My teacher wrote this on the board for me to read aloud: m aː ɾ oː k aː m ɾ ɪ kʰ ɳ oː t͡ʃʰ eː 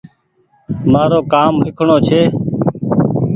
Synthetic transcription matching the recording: m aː ɾ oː k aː m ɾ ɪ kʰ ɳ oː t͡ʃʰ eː